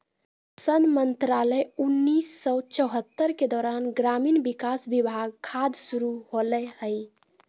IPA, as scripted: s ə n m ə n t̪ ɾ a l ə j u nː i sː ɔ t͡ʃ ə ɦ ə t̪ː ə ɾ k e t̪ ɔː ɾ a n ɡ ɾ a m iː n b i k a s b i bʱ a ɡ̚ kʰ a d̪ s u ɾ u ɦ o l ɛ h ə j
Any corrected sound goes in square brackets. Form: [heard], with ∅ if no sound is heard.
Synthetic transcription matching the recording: s ə n m ə n t̪ ɾ a l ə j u nː i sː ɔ t͡ʃ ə ɦ ə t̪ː ə ɾ k e [d̪] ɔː ɾ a n ɡ ɾ a m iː n b i k a s b i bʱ a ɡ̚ kʰ a d̪ s u ɾ u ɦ o l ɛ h ə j